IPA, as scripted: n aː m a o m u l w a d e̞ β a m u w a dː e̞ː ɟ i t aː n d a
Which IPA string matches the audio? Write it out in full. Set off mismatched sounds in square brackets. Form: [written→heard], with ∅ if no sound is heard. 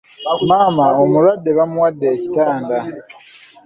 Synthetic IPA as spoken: [n→m] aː m a o m u l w a [d→dː] e̞ β a m u w a dː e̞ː [ɟ→c] i t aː n d a